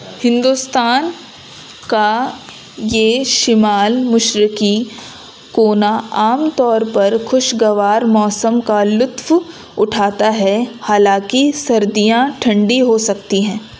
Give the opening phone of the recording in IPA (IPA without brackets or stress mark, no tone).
h